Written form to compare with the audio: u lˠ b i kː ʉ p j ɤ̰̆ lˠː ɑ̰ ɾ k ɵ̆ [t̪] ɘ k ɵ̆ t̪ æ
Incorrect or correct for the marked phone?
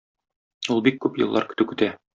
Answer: correct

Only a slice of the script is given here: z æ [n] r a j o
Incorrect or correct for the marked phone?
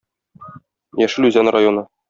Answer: correct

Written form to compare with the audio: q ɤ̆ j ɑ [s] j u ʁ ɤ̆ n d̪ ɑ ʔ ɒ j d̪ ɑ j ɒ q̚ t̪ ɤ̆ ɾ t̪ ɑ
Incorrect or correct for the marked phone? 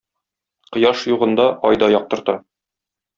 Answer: incorrect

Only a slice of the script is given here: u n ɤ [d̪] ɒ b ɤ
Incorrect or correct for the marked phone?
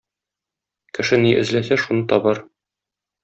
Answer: incorrect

